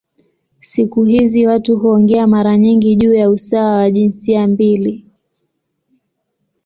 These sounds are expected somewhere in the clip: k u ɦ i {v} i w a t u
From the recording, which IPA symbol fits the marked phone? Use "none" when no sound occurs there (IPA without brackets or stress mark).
z